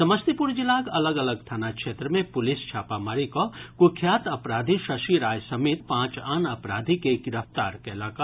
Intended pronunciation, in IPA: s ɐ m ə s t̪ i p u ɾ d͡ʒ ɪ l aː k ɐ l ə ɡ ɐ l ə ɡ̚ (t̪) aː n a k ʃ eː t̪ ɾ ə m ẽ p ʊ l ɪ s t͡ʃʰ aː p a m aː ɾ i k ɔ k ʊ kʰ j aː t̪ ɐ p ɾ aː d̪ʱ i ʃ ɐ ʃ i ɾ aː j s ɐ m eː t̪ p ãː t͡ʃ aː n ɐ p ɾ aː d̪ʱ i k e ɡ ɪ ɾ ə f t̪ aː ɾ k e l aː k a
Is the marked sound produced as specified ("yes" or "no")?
no